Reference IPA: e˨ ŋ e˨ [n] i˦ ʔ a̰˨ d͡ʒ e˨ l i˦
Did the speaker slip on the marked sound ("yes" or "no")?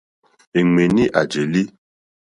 no